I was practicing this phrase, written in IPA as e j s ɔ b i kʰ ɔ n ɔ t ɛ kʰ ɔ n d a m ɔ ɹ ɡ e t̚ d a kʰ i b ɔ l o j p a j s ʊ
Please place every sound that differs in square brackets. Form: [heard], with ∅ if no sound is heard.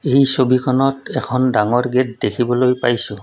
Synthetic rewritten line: e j s [o] b i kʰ ɔ n ɔ t ɛ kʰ ɔ n d a [ŋ] ɔ ɹ ɡ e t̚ d [e] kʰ i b ɔ l o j p a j s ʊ